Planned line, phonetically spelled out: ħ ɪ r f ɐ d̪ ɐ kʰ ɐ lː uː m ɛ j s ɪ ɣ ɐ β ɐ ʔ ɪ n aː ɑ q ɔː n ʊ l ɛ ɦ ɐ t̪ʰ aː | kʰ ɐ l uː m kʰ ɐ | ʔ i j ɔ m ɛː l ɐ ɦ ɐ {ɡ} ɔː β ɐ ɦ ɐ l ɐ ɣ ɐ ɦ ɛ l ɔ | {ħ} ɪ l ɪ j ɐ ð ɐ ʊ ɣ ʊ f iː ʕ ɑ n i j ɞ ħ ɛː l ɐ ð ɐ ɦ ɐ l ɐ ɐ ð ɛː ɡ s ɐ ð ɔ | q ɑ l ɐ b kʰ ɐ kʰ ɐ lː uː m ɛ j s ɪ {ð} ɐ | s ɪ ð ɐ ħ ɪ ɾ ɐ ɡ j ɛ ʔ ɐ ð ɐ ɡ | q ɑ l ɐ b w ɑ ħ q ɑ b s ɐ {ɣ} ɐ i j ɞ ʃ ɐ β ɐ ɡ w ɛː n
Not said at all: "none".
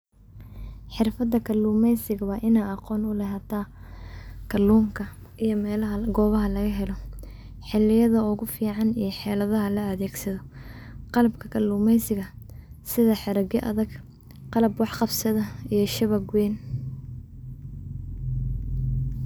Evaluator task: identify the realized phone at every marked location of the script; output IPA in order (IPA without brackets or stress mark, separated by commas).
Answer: ɡ, ħ, ɣ, ð